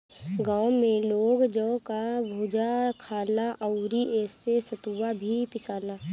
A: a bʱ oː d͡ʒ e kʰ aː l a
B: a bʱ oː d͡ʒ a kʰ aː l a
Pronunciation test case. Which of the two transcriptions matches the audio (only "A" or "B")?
B